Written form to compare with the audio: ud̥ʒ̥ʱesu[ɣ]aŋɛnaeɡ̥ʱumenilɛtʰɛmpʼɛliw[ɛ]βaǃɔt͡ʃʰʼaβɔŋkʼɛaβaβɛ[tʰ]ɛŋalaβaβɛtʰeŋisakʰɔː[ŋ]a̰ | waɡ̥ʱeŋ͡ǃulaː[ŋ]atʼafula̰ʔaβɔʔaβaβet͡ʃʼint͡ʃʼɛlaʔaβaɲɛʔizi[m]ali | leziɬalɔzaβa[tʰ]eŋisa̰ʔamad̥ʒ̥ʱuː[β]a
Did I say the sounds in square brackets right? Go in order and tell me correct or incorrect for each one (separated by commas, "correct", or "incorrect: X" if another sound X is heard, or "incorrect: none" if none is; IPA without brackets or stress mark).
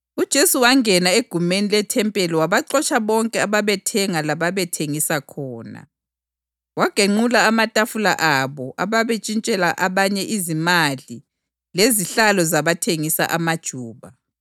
incorrect: w, incorrect: a, correct, incorrect: n, incorrect: m, correct, correct, correct